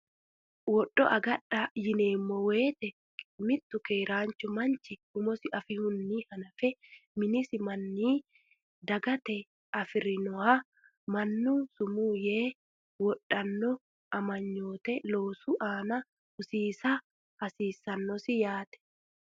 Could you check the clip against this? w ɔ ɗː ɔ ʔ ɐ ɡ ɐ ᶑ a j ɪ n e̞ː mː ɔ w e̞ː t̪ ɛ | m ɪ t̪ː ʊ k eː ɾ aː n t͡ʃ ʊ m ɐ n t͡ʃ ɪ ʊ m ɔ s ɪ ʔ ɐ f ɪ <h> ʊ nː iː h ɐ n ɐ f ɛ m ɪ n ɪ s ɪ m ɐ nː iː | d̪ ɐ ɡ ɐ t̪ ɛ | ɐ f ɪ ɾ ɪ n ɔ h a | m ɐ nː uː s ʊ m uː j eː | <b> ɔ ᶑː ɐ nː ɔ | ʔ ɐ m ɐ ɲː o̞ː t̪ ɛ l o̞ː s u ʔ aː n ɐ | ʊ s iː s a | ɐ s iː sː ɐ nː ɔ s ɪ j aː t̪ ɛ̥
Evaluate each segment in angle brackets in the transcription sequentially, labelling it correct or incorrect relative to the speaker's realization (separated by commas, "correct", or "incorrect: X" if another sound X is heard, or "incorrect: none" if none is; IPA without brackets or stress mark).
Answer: correct, incorrect: w